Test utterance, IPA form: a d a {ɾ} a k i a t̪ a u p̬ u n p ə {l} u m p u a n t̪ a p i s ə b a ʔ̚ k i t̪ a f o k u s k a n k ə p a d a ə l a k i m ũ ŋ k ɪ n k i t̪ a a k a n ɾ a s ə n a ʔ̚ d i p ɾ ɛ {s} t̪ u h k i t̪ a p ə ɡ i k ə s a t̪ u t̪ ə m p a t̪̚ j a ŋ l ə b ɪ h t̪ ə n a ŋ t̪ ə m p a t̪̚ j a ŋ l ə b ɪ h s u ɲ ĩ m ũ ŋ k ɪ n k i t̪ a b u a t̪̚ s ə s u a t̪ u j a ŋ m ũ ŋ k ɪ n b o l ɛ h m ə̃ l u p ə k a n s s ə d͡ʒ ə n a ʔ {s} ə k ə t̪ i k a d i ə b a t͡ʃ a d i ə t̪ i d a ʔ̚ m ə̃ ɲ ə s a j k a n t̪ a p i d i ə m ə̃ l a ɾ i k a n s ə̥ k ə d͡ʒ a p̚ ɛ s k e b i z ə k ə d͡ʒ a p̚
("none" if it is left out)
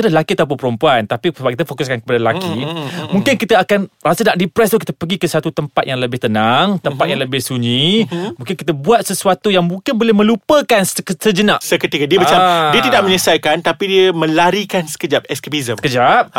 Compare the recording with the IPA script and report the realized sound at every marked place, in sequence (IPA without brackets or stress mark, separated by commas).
l, ɾ, s, s